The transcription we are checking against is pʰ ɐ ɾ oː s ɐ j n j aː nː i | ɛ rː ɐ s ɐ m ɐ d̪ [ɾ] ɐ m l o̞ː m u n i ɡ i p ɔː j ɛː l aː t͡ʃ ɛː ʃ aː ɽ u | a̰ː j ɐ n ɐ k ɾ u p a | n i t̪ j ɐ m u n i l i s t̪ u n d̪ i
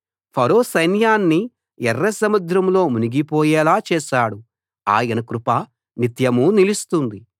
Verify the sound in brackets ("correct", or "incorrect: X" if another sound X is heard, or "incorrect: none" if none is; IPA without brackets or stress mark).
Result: correct